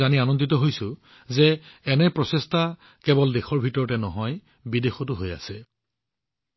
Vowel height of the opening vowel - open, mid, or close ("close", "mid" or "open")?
open